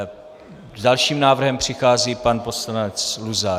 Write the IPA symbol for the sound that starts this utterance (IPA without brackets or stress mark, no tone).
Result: z